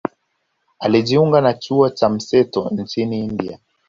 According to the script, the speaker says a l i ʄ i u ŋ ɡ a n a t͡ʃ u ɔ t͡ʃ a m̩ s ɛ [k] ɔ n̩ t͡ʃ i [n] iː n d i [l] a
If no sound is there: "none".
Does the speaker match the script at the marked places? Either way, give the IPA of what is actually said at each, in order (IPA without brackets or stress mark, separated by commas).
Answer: t, n, none